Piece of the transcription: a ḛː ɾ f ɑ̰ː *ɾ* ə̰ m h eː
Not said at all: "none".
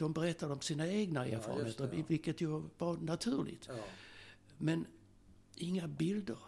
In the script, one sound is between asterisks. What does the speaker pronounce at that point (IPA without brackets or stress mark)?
ɾ